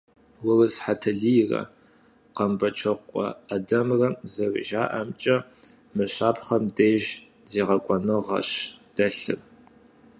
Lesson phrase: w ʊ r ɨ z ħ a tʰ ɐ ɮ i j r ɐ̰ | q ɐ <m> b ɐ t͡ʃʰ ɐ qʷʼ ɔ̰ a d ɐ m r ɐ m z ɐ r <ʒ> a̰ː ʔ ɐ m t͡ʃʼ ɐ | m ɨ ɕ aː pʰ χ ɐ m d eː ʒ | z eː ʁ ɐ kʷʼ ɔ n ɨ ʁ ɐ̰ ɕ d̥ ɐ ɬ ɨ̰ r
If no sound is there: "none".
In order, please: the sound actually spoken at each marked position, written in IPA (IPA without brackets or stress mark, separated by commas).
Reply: m, ʒ